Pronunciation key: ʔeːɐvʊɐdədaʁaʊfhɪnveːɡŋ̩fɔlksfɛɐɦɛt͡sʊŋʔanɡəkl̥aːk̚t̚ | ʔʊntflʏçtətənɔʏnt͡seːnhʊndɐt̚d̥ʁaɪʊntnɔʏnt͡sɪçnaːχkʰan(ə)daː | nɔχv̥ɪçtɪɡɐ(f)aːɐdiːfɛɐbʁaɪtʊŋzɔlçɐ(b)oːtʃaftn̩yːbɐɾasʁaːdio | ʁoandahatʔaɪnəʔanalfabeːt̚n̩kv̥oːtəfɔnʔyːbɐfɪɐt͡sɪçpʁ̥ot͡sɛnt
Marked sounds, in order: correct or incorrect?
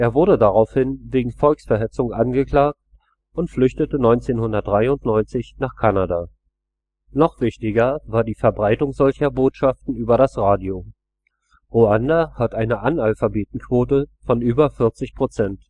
incorrect: a, incorrect: v, correct

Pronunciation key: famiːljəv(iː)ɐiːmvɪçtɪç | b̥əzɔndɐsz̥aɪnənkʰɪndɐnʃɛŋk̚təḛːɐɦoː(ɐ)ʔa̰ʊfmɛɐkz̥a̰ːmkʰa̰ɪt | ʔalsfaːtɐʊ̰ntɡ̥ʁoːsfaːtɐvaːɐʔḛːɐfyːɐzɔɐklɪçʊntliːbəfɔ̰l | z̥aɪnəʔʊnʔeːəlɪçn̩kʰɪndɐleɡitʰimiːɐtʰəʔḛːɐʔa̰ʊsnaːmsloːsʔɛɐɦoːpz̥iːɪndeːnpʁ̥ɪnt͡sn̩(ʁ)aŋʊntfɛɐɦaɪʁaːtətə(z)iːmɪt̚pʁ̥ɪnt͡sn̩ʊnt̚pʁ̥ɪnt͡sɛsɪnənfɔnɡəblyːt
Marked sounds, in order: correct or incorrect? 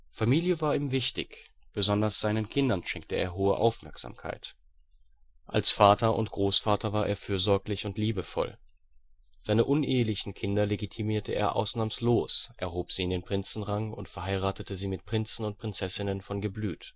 incorrect: aː, incorrect: ə, correct, correct

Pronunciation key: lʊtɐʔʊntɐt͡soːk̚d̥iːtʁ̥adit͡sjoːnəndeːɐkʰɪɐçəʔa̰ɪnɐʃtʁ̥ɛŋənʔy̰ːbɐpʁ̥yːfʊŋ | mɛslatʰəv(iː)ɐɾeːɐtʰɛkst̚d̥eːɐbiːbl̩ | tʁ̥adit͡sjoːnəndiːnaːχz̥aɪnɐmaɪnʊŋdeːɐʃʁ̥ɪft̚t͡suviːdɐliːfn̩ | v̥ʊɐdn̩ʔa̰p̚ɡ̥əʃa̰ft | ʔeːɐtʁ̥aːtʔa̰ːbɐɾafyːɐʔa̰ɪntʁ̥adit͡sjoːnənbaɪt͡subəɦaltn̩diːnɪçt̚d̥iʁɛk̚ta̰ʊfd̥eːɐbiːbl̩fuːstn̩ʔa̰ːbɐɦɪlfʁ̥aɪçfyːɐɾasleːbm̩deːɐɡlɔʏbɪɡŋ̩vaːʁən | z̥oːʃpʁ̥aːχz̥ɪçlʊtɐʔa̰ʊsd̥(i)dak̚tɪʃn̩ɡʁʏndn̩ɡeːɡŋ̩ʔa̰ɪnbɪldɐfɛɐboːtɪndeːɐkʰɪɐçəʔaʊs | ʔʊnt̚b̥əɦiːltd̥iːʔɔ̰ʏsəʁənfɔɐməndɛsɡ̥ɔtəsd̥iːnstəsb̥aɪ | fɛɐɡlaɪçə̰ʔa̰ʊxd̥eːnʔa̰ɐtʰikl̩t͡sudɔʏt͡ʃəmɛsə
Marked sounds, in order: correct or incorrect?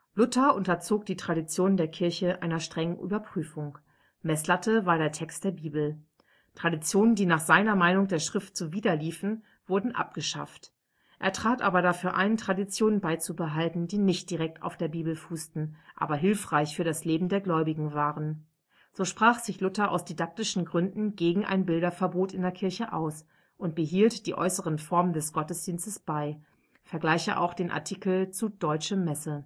incorrect: aː, correct

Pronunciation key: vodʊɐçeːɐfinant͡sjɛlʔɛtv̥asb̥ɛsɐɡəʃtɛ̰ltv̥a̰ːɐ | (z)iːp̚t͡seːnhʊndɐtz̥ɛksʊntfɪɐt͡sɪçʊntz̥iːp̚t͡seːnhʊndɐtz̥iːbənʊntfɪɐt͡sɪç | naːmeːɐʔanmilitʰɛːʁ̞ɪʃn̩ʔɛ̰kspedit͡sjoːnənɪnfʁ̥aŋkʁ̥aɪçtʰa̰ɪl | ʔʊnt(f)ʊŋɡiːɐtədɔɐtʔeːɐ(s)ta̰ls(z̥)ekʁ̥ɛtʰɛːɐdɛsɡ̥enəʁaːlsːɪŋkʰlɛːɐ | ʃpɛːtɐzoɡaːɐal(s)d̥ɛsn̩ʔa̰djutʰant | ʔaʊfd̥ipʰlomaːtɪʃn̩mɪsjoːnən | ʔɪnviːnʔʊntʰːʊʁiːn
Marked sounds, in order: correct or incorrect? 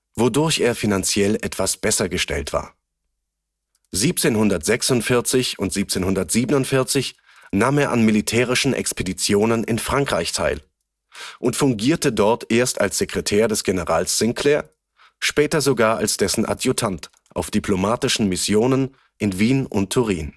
correct, correct, correct, correct, correct

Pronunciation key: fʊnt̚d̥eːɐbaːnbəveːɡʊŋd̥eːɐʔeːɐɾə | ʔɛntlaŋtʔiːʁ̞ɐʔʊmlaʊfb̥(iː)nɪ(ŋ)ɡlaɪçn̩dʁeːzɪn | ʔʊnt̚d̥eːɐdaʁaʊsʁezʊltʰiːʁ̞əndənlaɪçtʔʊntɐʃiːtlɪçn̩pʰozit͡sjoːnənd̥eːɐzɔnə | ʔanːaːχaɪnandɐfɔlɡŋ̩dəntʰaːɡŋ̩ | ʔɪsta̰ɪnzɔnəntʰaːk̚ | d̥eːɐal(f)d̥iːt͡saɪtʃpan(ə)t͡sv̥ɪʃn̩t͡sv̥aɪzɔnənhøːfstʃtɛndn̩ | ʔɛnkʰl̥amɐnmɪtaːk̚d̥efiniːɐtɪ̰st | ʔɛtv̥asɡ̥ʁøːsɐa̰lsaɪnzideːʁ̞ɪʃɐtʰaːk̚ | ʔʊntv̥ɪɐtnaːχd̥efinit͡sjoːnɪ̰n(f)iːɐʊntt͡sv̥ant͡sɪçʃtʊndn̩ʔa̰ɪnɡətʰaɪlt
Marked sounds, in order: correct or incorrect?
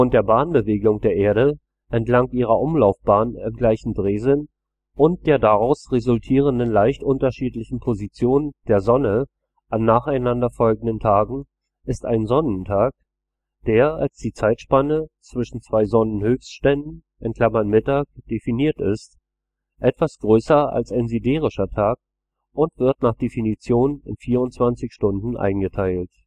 incorrect: aː, incorrect: m, incorrect: s, correct, correct

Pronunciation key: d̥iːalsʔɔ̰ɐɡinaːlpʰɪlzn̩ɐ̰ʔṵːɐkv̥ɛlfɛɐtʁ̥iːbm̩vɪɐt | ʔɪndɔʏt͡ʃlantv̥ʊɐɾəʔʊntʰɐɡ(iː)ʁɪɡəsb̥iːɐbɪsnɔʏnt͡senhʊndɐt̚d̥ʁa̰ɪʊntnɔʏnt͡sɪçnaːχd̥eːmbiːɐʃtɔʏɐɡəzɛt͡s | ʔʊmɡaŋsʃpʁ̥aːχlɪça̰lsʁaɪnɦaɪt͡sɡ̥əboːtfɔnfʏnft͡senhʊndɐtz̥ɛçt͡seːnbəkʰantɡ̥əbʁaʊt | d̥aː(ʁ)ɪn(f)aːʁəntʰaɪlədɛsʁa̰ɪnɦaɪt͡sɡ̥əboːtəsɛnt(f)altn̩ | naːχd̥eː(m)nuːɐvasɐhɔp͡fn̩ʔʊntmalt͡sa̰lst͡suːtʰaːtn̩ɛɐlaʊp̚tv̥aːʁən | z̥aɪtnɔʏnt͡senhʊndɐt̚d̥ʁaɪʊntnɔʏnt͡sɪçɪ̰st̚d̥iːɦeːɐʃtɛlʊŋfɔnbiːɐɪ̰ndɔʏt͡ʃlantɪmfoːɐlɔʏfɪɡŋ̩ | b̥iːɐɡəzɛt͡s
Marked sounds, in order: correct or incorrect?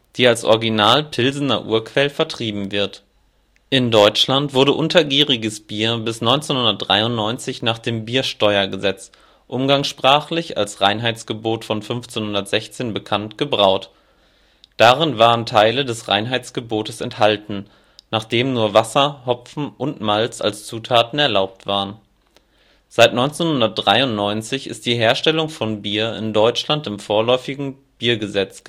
correct, correct, incorrect: v, incorrect: h, correct

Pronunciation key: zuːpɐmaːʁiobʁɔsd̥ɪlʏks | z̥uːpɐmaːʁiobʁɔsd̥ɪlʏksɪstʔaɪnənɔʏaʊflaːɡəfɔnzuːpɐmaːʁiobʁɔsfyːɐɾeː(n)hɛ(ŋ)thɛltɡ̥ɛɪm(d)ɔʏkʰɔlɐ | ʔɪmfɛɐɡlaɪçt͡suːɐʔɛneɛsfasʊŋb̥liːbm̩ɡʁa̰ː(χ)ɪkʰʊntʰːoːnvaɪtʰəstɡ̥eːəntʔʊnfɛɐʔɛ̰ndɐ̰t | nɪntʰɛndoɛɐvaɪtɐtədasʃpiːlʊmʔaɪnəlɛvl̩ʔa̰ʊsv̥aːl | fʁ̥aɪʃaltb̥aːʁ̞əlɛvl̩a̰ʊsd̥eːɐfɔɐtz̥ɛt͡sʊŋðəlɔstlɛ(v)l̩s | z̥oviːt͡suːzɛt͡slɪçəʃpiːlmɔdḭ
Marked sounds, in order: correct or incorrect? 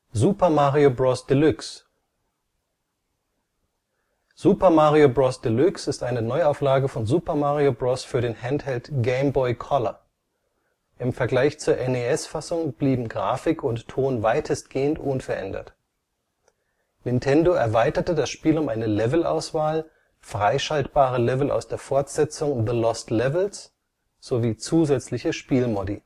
correct, incorrect: n, incorrect: b, incorrect: f, correct

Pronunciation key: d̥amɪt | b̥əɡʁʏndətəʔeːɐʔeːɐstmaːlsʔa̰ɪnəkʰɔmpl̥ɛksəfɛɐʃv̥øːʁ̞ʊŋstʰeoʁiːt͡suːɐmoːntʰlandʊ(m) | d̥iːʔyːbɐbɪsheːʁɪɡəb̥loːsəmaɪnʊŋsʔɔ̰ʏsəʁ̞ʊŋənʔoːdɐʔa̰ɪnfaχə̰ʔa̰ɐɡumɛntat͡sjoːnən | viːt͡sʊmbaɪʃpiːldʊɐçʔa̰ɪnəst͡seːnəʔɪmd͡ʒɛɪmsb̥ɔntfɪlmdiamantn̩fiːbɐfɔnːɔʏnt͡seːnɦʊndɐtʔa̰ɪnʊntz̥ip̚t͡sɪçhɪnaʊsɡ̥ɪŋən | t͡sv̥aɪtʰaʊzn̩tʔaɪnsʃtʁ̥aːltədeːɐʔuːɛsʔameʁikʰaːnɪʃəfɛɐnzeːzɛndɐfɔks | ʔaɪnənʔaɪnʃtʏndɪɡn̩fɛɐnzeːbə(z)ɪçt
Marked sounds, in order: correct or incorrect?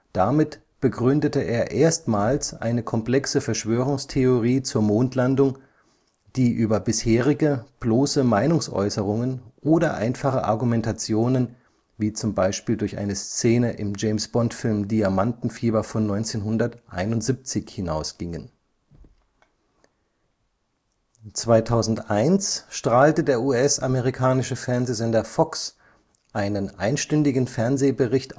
incorrect: ŋ, incorrect: ʁ

